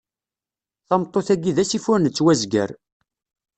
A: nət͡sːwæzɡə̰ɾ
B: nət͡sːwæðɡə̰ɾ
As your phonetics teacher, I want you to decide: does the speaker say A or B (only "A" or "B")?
A